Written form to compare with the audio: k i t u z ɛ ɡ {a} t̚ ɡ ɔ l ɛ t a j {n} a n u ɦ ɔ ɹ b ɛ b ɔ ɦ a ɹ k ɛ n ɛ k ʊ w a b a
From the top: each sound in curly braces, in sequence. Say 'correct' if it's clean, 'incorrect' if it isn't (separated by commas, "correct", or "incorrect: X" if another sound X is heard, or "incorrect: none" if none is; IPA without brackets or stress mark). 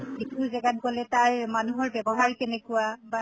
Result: correct, incorrect: m